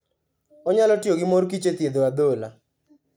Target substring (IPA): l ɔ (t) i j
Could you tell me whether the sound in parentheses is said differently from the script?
no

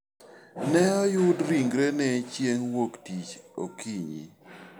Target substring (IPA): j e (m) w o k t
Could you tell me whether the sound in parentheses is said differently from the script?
yes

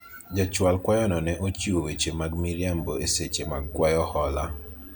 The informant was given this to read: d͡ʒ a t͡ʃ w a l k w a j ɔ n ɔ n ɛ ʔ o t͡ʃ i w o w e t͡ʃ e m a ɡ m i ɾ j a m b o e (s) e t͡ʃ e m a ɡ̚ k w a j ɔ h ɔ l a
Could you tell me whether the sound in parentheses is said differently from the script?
no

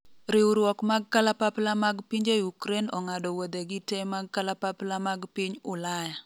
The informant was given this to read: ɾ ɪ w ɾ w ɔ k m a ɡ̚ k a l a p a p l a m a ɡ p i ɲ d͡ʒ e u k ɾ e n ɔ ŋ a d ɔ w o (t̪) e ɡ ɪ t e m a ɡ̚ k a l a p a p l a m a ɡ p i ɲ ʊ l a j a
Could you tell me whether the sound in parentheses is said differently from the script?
yes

